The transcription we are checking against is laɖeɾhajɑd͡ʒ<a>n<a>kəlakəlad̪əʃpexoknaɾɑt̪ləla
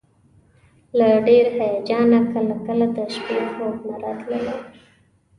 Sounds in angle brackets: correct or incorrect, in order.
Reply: incorrect: ɑ, correct

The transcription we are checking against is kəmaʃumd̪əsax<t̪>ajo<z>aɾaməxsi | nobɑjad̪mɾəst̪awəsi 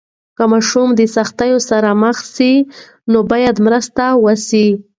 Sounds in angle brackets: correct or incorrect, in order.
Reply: correct, incorrect: s

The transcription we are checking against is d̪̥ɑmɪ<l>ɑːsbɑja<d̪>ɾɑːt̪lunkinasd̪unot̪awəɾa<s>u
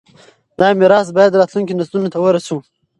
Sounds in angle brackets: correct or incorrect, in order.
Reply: incorrect: ɾ, correct, correct

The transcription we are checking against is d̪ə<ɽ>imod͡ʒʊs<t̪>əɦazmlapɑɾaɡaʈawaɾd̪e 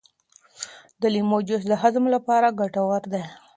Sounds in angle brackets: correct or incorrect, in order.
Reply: incorrect: l, incorrect: d̪

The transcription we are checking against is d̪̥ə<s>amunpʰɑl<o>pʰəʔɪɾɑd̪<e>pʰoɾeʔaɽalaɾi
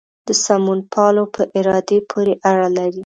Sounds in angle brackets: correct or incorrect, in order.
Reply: correct, correct, correct

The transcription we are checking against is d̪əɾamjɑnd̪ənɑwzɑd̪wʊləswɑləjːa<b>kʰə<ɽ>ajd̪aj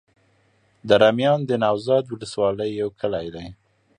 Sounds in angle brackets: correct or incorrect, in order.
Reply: incorrect: w, incorrect: l

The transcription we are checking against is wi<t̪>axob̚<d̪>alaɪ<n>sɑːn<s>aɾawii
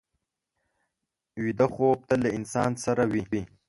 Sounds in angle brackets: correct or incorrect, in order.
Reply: incorrect: d̪, incorrect: t̪, correct, correct

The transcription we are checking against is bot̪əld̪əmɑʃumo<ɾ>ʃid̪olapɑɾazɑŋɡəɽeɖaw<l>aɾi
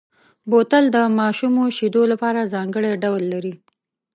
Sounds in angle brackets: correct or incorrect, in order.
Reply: incorrect: none, incorrect: lː

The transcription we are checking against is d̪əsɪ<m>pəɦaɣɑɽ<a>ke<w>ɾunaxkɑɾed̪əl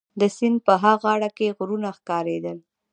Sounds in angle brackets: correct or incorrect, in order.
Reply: incorrect: n, correct, incorrect: ɣ

